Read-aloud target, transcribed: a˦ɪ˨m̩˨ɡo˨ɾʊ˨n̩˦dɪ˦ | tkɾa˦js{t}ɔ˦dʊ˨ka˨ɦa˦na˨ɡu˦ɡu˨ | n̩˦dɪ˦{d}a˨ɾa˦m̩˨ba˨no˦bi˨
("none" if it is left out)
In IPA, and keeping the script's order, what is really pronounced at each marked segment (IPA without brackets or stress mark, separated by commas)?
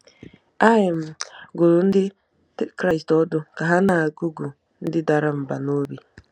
t, d